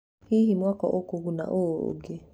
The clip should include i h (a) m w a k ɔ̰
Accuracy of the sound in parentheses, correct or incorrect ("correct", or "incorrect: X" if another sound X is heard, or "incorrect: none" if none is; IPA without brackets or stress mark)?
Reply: incorrect: i